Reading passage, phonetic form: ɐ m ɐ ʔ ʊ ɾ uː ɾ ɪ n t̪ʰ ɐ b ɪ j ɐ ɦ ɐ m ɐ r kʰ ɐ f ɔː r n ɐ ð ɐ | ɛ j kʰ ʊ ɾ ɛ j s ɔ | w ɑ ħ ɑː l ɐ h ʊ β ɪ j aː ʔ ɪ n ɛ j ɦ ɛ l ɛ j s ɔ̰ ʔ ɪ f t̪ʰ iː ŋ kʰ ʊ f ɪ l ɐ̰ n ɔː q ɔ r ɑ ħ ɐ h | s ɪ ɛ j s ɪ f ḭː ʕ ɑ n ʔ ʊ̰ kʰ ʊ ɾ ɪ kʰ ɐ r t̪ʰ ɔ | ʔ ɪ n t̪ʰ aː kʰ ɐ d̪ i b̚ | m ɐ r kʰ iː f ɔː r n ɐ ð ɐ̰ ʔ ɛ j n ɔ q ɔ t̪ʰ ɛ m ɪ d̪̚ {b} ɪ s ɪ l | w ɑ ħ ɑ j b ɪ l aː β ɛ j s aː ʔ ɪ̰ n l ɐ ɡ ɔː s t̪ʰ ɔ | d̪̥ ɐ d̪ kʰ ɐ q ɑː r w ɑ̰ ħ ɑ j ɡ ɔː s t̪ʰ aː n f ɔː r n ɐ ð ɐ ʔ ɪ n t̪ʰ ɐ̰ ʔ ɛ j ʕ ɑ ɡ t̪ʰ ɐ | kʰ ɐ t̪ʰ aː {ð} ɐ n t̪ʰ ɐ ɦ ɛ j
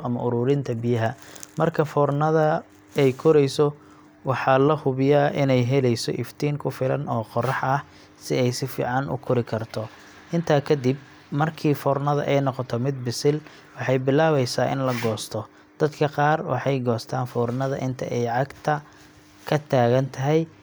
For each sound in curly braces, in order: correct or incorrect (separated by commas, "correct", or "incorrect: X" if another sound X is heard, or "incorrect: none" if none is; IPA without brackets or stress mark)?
correct, incorrect: ɣ